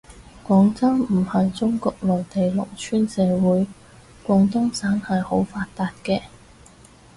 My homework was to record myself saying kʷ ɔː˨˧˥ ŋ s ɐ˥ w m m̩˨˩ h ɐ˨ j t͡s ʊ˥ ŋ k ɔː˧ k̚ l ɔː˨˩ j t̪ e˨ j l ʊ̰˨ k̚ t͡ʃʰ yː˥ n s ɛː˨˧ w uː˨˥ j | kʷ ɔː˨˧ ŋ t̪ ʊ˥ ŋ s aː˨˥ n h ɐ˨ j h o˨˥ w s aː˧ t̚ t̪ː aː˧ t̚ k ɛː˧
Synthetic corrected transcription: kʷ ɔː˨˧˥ ŋ t͡s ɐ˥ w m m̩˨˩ h ɐ˨ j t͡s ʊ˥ ŋ k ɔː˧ k̚ l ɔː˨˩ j t̪ e˨ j l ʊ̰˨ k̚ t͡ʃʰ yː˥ n s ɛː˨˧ w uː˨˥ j | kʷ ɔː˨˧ ŋ t̪ ʊ˥ ŋ s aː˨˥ n h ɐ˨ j h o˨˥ w f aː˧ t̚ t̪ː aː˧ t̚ k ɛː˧